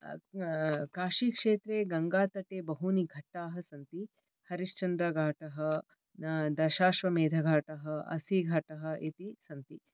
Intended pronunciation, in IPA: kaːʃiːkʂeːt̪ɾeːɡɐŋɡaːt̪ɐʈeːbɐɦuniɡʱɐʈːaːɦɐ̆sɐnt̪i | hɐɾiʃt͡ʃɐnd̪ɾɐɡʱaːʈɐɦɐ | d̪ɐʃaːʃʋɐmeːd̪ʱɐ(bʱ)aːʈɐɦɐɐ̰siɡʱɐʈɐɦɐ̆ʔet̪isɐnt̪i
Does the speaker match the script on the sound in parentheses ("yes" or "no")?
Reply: no